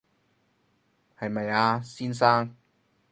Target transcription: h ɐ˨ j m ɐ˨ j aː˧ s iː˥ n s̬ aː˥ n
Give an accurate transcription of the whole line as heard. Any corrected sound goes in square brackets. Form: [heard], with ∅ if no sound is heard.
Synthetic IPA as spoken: h ɐ˨ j m ɐ˨ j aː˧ s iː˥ n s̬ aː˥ [ŋ]